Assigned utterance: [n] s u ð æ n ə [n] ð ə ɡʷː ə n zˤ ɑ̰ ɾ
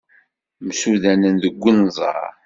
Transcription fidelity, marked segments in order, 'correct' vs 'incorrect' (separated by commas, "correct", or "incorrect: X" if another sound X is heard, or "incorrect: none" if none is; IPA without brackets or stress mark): incorrect: m, correct